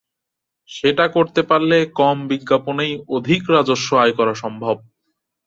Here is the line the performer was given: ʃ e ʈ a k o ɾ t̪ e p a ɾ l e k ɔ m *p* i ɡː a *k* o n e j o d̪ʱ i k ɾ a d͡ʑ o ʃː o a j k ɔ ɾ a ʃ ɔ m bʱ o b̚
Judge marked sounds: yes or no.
no, no

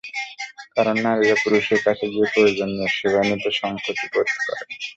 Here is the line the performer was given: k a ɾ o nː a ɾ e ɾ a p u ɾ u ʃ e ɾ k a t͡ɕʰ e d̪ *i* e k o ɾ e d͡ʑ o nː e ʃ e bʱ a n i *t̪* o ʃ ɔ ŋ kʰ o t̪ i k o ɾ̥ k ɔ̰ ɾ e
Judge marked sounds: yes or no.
yes, yes

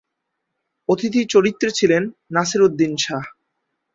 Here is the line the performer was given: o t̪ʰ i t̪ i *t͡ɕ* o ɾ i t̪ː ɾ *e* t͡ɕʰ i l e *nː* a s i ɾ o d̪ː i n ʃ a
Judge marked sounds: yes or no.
yes, yes, yes

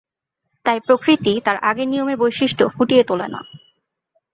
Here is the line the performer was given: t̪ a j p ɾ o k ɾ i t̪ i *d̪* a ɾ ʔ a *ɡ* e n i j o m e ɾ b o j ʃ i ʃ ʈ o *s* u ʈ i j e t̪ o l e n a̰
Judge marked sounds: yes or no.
no, yes, no

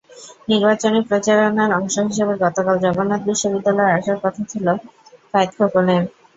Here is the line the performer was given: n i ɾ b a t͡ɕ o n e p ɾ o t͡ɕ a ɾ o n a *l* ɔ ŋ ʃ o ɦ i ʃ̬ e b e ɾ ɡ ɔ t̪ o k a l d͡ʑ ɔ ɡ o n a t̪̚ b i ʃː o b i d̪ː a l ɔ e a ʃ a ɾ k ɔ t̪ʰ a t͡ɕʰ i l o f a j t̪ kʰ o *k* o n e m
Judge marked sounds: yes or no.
no, yes

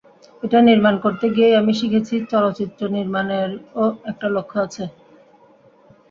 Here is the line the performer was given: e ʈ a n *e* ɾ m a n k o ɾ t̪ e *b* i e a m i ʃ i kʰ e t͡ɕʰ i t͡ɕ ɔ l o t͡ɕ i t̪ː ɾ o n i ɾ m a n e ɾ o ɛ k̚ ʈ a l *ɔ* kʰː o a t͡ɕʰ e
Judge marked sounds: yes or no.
no, no, no

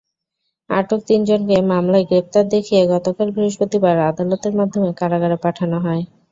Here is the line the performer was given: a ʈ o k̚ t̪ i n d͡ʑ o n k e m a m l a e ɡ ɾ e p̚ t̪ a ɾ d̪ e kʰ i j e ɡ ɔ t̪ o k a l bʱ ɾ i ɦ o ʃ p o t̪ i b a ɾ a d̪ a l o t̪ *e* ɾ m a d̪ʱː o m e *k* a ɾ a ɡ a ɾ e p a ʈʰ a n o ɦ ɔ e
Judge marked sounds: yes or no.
yes, yes

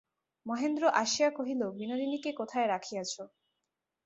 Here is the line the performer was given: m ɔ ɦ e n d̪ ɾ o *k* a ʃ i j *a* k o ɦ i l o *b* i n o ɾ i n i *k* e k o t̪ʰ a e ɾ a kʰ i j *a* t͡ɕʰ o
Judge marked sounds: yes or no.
no, yes, yes, yes, yes

